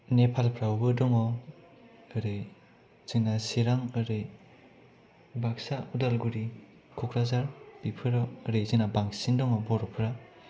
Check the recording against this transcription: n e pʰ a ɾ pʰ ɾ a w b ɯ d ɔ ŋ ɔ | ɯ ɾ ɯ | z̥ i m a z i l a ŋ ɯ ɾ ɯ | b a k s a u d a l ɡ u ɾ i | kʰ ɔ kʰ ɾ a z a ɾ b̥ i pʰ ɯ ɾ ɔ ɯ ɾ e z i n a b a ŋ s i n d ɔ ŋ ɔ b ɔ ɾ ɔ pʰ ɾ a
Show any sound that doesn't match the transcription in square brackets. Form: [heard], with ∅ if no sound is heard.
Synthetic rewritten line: n e pʰ a [l] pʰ ɾ a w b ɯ d ɔ ŋ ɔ | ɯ ɾ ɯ | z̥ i [n] a [s] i [ɾ] a ŋ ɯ ɾ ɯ | b a k s a u d a l ɡ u ɾ i | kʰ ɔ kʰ ɾ a z a ɾ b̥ i pʰ ɯ ɾ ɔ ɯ ɾ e z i n a b a ŋ s i n d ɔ ŋ ɔ b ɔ ɾ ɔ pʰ ɾ a